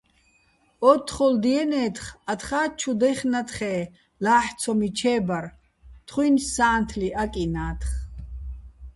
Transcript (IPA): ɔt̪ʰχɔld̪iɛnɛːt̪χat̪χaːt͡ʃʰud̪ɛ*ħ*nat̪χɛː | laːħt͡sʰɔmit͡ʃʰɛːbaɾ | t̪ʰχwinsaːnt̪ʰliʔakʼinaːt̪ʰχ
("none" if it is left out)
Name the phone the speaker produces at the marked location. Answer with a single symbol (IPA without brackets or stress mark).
χ